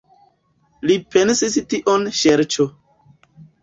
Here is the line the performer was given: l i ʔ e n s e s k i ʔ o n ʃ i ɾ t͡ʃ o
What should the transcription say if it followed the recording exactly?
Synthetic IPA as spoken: l i p e n s i s t i ʔ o n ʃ e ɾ t͡ʃ o